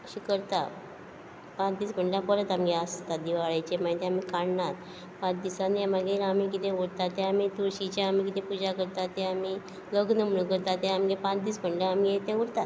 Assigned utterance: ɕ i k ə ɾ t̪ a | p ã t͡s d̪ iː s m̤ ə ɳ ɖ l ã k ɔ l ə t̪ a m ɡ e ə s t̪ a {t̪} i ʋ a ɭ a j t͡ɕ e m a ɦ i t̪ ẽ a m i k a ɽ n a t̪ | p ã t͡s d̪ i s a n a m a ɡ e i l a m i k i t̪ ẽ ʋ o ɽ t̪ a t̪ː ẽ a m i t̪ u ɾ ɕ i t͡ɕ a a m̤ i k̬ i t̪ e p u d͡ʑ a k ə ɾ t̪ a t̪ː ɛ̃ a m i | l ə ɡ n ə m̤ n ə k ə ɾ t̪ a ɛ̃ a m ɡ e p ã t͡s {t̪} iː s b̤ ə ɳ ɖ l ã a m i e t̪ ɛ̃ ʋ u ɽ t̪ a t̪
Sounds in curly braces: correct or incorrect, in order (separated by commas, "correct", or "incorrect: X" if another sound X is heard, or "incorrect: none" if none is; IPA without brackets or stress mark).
incorrect: d̪, incorrect: d̪